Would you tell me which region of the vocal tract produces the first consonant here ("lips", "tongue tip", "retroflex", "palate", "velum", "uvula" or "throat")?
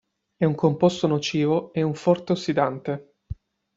velum